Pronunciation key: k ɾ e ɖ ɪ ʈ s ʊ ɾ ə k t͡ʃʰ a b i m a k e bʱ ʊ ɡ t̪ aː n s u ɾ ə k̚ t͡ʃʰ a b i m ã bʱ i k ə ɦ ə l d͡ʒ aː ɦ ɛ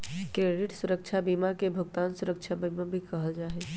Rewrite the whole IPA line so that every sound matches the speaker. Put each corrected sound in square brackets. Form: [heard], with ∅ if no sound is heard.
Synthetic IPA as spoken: k ɾ e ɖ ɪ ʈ s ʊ ɾ ə k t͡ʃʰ a b i m a k e bʱ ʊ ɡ t̪ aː n s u ɾ ə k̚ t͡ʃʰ a b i m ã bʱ i k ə ɦ ə l d͡ʒ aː ɦ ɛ